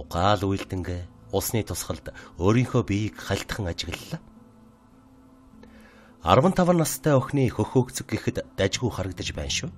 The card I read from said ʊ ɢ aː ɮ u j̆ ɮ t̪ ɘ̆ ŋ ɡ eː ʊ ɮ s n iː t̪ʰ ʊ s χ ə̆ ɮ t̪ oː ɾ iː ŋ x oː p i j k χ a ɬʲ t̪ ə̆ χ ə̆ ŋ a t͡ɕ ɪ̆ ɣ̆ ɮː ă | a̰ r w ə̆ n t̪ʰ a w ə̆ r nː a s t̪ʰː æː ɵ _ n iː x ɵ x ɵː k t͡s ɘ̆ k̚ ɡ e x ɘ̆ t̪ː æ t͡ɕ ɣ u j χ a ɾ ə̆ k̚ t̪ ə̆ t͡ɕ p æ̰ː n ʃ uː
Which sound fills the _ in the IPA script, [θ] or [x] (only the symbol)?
x